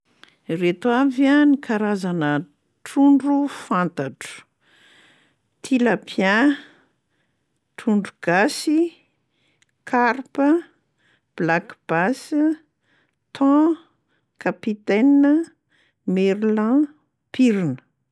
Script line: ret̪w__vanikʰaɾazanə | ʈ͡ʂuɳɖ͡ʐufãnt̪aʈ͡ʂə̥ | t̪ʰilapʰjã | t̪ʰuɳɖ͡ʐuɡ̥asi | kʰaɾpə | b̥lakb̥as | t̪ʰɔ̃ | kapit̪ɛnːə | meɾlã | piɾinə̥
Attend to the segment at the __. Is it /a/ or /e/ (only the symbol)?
a